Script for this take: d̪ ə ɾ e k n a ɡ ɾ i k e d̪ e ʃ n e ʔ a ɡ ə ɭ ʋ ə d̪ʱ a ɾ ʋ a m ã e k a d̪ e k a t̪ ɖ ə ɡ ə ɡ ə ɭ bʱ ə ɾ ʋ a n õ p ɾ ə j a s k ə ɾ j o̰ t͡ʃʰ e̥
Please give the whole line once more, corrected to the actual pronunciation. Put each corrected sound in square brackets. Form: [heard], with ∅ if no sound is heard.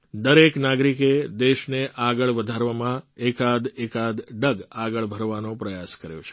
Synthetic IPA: d̪ ə ɾ e k n a ɡ ɾ i k e d̪ e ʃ n e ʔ a ɡ ə ɭ ʋ ə d̪ʱ a ɾ ʋ a m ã e k a d̪ e k a [d̪] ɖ ə ɡ [a] ɡ ə ɭ bʱ ə ɾ ʋ a n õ p ɾ ə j a s k ə ɾ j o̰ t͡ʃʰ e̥